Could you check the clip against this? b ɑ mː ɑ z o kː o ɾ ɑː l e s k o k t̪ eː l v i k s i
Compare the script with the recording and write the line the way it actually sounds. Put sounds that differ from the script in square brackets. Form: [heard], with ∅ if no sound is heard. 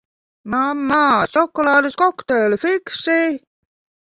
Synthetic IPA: [m] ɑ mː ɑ [s] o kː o [l] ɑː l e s k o k t̪ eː l [f] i k s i